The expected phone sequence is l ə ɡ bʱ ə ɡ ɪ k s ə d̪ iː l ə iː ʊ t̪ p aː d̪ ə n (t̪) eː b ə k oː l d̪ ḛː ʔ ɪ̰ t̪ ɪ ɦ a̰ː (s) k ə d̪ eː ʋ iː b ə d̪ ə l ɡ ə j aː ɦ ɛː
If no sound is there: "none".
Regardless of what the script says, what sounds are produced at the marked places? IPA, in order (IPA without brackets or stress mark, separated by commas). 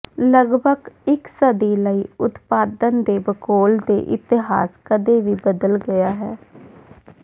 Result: d̪, s